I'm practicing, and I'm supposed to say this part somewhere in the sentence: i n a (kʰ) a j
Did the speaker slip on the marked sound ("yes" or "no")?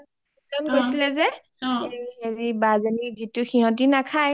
no